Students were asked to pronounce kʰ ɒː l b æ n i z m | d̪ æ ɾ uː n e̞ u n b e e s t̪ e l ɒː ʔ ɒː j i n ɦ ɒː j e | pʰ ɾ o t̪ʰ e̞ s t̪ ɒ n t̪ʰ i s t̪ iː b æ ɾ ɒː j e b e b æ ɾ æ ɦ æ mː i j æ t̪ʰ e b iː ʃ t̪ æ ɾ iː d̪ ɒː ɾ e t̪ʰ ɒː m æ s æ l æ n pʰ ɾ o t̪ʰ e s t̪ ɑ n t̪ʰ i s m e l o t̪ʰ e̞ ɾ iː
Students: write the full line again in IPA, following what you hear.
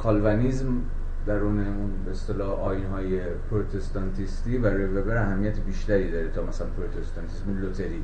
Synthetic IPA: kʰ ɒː l v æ n i z m | d̪ æ ɾ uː n e̞ u n b e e s t̪ e l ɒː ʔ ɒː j i n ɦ ɒː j e | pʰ ɾ o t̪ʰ e̞ s t̪ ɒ n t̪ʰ i s t̪ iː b æ ɾ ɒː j e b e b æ ɾ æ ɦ æ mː i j æ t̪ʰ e b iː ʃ t̪ æ ɾ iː d̪ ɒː ɾ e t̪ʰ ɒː m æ s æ l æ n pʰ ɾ o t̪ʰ e s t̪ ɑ n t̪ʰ i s m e l o t̪ʰ e̞ ɾ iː